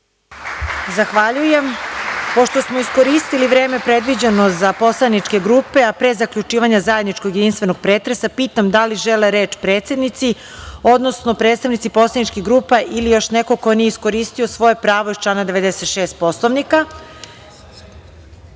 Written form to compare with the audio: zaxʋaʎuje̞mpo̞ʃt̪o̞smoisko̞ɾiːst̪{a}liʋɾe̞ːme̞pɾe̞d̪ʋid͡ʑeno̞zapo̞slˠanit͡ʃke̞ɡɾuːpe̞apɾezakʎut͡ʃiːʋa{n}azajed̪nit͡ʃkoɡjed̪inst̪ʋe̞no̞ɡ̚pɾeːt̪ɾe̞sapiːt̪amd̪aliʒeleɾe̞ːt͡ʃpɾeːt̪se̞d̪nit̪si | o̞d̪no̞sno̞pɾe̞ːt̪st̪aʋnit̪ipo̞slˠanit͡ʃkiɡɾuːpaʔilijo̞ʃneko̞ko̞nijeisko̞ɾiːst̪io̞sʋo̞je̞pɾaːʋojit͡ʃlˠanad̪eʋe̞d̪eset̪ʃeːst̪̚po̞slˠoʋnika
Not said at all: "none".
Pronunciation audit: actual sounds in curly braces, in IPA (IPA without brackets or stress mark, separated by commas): i, ɲ